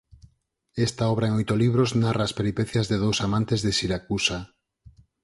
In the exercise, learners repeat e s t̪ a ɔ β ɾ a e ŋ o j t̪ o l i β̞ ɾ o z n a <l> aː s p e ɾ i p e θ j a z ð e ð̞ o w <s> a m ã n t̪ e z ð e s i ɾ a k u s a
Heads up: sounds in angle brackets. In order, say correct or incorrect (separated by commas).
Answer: incorrect, correct